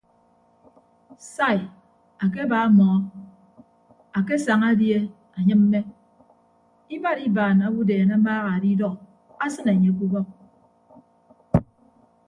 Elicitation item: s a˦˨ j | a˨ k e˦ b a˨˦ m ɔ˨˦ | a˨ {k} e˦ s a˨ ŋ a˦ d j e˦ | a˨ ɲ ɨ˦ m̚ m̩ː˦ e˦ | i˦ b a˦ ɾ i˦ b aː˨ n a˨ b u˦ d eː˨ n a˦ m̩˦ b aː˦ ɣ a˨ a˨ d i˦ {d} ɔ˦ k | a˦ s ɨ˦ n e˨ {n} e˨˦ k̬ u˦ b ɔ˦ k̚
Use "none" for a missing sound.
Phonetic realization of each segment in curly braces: k, d, ɲ

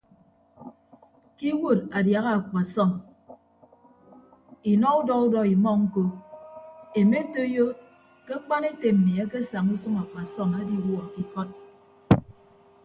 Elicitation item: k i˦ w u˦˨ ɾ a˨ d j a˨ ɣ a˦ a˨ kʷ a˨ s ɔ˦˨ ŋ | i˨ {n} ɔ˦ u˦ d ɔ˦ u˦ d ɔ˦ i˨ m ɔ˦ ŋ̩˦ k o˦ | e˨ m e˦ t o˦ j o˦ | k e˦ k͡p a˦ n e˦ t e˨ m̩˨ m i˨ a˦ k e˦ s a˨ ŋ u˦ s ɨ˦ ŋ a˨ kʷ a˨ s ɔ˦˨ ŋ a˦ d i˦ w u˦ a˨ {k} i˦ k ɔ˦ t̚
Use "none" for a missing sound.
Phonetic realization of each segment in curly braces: n, k

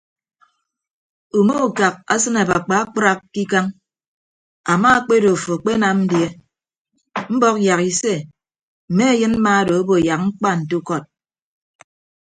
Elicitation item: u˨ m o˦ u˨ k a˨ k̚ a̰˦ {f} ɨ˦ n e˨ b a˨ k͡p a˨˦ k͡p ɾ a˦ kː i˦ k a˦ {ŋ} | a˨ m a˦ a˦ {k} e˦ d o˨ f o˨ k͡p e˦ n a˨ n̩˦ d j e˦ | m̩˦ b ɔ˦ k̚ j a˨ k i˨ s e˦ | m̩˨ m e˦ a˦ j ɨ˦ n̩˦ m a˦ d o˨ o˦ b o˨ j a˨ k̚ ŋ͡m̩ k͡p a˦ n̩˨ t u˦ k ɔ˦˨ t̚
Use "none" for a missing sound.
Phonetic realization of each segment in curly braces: s, ŋ, k͡p

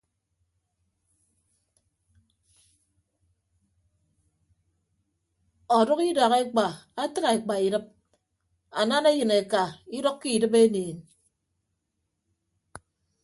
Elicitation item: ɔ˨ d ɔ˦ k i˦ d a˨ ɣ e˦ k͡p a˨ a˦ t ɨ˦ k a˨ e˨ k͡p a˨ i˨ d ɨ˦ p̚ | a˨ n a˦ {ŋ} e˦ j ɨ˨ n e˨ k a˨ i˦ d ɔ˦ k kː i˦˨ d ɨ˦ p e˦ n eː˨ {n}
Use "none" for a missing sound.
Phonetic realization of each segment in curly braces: n, n

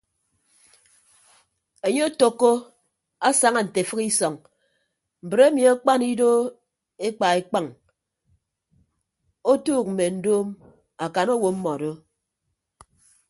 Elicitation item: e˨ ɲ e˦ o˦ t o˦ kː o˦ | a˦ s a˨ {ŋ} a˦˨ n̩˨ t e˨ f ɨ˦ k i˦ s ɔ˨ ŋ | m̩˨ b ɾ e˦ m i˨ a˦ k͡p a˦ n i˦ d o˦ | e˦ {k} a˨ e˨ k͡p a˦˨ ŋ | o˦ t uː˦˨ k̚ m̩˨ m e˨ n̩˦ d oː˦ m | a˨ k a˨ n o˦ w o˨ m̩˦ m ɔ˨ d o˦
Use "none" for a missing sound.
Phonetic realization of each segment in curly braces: ŋ, k͡p

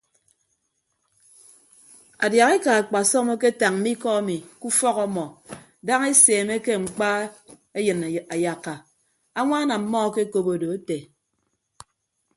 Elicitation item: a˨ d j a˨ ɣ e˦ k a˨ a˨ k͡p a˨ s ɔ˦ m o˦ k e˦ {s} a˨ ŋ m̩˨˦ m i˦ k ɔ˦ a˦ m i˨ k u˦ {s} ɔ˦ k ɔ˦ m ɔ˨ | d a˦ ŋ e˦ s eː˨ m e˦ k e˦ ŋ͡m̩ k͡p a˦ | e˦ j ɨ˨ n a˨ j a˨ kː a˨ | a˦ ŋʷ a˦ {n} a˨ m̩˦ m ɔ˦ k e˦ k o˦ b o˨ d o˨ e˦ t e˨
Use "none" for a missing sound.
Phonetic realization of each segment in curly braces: t, f, n

